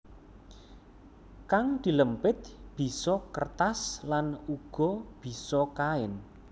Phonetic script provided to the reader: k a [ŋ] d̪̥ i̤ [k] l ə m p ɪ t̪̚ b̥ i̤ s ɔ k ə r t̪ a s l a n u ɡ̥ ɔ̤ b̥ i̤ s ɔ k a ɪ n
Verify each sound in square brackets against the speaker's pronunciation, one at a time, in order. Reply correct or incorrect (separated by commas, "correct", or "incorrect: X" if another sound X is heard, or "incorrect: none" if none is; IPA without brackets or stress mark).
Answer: correct, incorrect: none